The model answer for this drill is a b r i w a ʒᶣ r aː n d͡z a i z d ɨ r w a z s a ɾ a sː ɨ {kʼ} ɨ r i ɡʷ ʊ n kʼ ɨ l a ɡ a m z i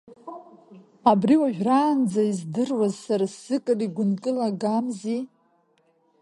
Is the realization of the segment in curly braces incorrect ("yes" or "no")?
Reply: no